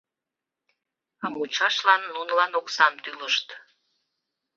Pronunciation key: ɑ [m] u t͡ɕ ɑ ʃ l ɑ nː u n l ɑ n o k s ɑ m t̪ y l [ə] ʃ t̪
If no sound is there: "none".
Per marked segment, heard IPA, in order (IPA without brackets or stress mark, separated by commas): m, ə